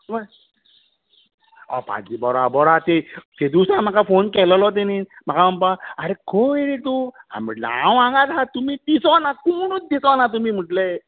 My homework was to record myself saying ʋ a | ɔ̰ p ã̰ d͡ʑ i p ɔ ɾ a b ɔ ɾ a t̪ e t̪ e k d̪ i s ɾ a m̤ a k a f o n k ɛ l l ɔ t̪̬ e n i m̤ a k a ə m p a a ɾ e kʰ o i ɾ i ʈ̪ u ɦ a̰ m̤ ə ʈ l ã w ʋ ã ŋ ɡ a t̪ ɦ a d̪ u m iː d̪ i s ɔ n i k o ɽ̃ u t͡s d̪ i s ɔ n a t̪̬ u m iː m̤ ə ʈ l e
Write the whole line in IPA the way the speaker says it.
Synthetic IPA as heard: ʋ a | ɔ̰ p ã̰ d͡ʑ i b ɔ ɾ a b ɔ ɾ a t̪ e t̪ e d̪ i s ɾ a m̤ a k a f o n k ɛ l l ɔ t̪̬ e n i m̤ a k a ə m p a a ɾ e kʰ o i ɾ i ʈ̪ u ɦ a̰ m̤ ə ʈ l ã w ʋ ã ŋ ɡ a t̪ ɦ a t̪ u m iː d̪ i s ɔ n a k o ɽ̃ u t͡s d̪ i s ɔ n a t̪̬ u m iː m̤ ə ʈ l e

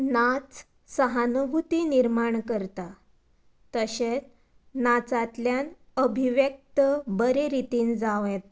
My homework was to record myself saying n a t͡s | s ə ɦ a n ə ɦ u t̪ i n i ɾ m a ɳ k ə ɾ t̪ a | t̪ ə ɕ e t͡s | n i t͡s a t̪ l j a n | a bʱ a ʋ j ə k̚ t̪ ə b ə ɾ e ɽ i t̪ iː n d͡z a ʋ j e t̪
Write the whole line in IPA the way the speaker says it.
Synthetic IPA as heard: n a t͡s | s ə ɦ a n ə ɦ u t̪ i n i ɾ m a ɳ k ə ɾ t̪ a | t̪ ə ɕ e t͡s | n a t͡s a t̪ l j a n | ə bʱ i ʋ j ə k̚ t̪ ə b ə ɾ e ɾ i t̪ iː n d͡z a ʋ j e t̪

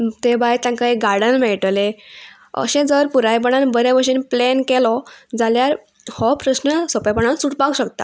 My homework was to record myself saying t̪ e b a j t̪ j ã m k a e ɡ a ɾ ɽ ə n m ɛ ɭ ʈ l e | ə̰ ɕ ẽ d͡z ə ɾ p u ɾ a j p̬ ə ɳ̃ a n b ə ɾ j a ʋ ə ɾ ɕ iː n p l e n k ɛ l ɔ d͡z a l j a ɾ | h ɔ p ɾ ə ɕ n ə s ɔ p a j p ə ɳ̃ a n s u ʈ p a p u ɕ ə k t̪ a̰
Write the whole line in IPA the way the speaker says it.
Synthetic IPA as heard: t̪ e b a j t̪ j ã ŋ k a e ɡ a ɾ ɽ ə n m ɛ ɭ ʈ l e | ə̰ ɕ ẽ d͡z ə ɾ p u ɾ a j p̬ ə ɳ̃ a n b ə ɾ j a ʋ ə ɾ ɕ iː n p l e n k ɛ l ɔ d͡z a l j a ɾ | h ɔ p ɾ ə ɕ n ə s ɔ p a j p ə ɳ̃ a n s u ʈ p a k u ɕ ə k t̪ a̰

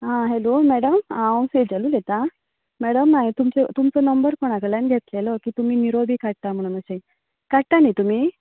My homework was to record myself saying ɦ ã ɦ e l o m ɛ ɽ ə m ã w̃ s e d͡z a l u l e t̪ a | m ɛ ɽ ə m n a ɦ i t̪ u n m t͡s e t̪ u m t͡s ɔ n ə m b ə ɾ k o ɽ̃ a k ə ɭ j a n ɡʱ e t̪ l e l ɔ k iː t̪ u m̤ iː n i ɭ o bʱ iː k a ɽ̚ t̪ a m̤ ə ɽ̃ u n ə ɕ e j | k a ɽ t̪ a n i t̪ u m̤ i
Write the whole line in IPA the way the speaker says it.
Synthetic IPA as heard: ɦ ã ɦ e l o m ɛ ɽ ə m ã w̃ s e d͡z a l u l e t̪ a | m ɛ ɽ ə m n a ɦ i t̪ u m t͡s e t̪ u m t͡s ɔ n ə m b ə ɾ k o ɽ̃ a k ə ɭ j a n ɡʱ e t̪ l e l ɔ k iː t̪ u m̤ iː n i ɾ o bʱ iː k a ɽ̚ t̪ a m̤ ə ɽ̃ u n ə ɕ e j | k a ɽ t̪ a n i t̪ u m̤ i

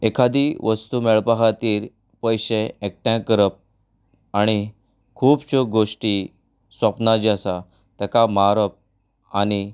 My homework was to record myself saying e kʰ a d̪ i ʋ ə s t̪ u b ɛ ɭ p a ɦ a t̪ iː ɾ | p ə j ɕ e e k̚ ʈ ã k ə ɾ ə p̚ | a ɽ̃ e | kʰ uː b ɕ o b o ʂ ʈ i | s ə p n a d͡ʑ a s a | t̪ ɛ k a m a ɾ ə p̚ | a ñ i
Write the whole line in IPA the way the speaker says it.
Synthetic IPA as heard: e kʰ a d̪ i ʋ ə s t̪ u m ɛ ɭ p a ɦ a t̪ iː ɾ | p ə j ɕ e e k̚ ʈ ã k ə ɾ ə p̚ | a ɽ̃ i | kʰ uː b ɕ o ɡ o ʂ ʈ i | s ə p n a d͡ʑ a s a | t̪ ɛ k a m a ɾ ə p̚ | a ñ i

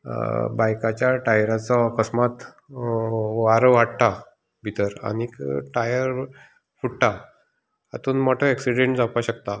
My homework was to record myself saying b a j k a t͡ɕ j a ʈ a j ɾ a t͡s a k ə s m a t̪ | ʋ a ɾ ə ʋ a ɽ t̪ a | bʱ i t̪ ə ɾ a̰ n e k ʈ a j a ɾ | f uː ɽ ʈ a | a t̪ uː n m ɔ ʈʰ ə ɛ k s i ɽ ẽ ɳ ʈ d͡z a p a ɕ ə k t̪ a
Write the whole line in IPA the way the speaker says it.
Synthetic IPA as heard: b a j k a t͡ɕ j a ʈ a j ɾ a t͡s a k ə s m a t̪ | ʋ a ɾ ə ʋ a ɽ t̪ a | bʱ i t̪ ə ɾ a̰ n i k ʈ a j ə ɾ | f u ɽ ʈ a | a t̪ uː n m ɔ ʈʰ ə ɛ k s i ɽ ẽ ɳ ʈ d͡z a p a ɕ ə k t̪ a

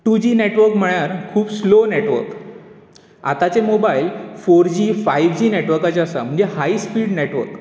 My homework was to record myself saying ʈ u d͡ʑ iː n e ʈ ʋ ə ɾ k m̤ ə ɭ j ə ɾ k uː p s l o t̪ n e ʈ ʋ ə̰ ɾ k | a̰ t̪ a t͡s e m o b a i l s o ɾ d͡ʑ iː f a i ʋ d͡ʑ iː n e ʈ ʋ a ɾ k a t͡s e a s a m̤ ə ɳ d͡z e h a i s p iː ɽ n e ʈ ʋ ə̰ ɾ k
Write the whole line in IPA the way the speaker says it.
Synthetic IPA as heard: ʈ u d͡ʑ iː n e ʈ ʋ ə ɾ k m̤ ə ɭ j a ɾ kʰ uː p s l o n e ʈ ʋ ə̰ ɾ k | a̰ t̪ a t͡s e m o b a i l f o ɾ d͡ʑ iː f a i ʋ d͡ʑ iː n e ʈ ʋ ə ɾ k a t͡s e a s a m̤ ə ɳ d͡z e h a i s p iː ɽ n e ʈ ʋ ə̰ ɾ k

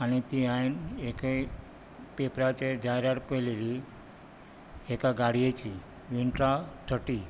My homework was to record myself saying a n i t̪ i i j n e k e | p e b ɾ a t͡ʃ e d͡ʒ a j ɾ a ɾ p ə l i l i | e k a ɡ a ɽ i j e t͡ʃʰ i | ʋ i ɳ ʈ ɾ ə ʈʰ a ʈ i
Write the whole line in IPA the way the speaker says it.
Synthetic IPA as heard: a n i t̪ i a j n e k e | p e p ɾ a t͡ʃ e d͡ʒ a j ɾ a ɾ p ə l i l i | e k a ɡ a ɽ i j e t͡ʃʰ i | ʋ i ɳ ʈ ɾ a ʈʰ ə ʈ i

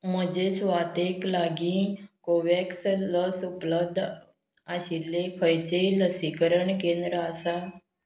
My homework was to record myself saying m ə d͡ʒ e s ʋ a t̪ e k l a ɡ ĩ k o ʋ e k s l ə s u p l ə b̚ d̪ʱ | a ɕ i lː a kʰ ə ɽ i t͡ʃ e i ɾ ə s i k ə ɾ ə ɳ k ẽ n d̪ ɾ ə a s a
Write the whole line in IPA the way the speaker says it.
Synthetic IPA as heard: m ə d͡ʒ e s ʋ a t̪ e k l a ɡ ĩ k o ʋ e k s l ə s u p l ə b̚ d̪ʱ | a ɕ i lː e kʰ ə ɾ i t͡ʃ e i l ə s i k ə ɾ ə ɳ k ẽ n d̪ ɾ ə a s a

